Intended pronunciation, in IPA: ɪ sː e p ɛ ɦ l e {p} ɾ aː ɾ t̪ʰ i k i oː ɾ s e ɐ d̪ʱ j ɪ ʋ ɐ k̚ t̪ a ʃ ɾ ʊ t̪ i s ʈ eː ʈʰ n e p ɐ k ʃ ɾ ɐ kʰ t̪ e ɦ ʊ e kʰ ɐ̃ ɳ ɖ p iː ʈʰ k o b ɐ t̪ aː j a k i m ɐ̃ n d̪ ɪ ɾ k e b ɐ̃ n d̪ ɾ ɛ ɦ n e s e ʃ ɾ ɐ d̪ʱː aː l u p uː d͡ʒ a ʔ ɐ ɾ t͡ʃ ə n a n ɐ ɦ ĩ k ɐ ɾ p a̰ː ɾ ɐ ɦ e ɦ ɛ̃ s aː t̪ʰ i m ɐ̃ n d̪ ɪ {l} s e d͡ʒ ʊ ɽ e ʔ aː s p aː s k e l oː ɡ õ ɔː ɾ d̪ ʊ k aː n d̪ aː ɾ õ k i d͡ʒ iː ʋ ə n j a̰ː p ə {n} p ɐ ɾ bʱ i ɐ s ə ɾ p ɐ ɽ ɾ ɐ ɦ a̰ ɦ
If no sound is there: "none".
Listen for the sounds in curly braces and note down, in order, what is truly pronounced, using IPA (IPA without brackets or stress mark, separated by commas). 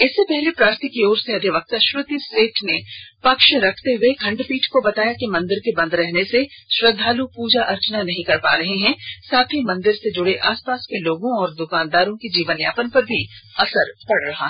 p, ɾ, n